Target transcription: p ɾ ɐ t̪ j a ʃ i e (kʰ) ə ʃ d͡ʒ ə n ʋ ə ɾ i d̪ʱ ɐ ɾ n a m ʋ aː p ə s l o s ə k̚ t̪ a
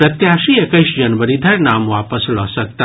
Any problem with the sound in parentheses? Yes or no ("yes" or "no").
yes